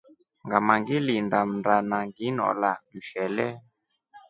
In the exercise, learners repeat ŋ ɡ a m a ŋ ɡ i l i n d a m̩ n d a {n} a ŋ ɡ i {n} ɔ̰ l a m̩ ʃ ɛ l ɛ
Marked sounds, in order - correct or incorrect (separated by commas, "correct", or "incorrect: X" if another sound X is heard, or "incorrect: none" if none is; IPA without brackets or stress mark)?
correct, correct